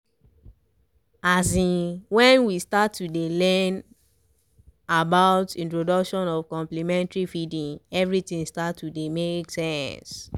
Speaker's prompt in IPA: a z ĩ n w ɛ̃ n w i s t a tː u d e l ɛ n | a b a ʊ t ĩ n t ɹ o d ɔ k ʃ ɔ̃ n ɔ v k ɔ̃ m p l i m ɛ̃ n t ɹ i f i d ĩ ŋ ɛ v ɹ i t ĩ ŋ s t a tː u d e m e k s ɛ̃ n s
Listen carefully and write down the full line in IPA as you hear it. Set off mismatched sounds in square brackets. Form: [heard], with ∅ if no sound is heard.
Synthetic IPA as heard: a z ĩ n w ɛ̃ n w i s t a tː u d e l ɛ n | a b a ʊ t ĩ n t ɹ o d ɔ k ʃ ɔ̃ n ɔ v k ɔ̃ m p l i m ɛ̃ n t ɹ i f i d ĩ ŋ ɛ v ɹ i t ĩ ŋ s t a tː u d e m e k s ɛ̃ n s